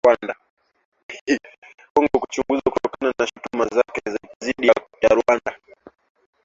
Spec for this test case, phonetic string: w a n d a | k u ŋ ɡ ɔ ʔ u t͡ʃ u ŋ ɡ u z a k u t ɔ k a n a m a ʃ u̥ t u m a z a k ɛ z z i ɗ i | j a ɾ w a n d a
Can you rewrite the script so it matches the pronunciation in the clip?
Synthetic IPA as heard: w a n d a | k ɔ ŋ ɡ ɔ k u t͡ʃ u ŋ ɡ u z a k u t ɔ k a n a n a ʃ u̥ t u m a z a k ɛ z z i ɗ i | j a ɾ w a n d a